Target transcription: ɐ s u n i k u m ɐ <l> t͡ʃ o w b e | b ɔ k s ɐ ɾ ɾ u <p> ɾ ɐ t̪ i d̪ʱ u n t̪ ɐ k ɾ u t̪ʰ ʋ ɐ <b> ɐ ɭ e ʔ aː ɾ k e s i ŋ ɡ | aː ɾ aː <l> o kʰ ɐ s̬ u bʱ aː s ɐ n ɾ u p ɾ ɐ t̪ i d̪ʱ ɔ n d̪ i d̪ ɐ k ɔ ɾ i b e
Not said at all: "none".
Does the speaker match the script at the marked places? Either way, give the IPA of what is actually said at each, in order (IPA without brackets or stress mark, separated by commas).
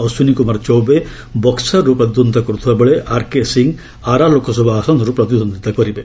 ɾ, p, b, l